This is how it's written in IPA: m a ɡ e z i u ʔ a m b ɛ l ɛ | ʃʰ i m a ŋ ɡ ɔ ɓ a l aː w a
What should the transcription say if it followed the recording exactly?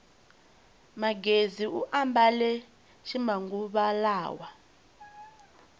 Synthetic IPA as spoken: m a ɡ e z i u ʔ a m b a l ɛ | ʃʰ i m a ŋ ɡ u ɓ a l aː w a